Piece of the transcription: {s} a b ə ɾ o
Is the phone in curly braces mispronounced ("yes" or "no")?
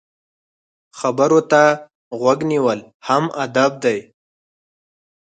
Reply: yes